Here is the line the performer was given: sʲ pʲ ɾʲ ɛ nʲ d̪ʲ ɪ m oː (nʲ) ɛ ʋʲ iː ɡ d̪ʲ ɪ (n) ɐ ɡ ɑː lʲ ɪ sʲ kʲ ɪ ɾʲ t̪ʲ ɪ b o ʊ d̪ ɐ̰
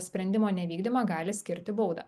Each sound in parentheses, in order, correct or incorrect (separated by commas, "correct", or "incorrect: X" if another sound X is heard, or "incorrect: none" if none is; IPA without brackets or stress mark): correct, incorrect: m